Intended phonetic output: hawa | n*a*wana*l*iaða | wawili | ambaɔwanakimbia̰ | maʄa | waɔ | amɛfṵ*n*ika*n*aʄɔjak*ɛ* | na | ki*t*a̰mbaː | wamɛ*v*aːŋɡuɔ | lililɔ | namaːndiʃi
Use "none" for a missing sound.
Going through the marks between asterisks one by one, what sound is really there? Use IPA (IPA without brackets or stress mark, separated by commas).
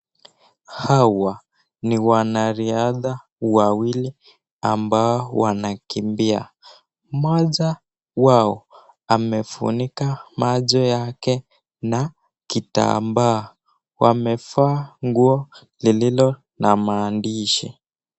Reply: i, ɾ, n, m, ɛ, t, f